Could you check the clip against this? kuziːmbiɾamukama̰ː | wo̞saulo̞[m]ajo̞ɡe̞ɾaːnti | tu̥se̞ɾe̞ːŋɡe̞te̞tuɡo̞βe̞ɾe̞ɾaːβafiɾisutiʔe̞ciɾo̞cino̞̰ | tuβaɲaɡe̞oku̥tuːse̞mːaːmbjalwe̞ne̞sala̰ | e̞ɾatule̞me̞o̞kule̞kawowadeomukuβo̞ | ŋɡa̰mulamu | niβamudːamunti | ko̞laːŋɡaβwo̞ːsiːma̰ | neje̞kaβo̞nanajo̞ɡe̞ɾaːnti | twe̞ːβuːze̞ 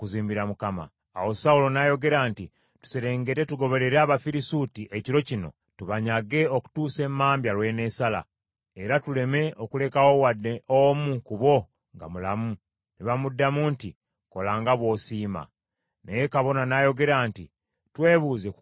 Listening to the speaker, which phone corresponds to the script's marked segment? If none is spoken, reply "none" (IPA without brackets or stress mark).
n